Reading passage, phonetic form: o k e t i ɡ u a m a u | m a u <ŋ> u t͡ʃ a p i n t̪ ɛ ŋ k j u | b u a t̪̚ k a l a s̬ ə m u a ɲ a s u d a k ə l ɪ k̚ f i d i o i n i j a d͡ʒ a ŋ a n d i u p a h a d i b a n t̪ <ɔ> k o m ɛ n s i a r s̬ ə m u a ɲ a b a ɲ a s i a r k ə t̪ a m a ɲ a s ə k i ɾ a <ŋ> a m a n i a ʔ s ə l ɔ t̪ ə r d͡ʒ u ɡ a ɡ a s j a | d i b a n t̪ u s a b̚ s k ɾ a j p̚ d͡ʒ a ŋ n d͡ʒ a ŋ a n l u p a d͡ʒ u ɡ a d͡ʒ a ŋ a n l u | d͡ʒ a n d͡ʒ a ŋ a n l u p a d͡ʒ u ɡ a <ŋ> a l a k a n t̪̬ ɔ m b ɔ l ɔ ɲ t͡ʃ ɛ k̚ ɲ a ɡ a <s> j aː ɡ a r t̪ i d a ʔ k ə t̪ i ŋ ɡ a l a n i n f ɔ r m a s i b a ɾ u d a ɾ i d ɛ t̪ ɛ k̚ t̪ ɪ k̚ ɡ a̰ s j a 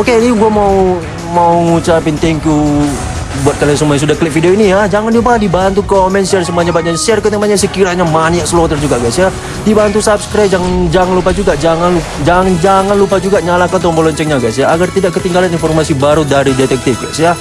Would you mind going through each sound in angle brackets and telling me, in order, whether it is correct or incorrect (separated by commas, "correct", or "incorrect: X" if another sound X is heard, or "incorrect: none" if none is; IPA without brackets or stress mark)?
correct, incorrect: u, incorrect: ɲ, incorrect: ɲ, correct